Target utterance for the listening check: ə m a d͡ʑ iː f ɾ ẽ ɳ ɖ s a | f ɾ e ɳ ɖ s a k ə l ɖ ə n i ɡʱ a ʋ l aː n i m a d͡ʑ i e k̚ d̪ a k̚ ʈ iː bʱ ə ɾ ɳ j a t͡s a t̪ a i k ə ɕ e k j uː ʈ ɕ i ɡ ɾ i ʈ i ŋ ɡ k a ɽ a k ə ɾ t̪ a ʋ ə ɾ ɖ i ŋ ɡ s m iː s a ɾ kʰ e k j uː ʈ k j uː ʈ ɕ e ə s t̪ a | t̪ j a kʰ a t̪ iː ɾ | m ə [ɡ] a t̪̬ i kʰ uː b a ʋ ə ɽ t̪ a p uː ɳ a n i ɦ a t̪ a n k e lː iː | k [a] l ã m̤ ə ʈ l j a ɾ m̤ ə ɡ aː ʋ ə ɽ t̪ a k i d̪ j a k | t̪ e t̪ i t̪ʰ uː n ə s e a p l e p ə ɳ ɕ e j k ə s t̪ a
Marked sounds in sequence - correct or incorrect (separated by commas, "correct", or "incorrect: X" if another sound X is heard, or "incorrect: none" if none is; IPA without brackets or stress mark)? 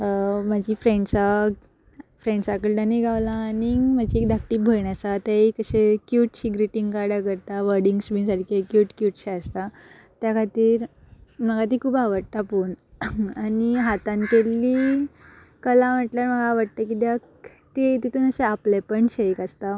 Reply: correct, incorrect: ə